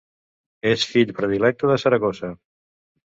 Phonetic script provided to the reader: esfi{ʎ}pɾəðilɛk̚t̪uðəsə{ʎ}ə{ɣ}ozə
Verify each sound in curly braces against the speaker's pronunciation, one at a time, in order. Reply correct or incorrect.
correct, incorrect: ɾ, correct

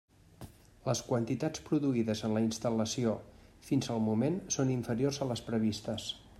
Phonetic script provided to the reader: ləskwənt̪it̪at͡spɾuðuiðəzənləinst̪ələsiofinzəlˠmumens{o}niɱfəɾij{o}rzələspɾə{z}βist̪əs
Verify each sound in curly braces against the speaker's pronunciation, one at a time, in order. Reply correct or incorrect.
correct, correct, incorrect: none

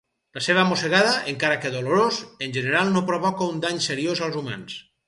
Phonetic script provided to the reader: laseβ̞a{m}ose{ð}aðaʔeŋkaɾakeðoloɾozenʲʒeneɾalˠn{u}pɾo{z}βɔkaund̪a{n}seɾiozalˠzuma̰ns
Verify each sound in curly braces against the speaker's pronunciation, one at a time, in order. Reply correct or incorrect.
correct, incorrect: ɣ, incorrect: o, incorrect: none, incorrect: ɲ

